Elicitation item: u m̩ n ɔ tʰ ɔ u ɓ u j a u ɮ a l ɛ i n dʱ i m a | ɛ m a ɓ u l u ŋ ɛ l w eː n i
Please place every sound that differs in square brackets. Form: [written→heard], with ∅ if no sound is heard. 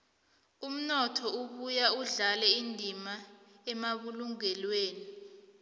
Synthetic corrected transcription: u m̩ n ɔ tʰ ɔ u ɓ u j a u ɮ a l ɛ i n dʱ i m a | ɛ m a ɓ u l u ŋ ɛ l w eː n i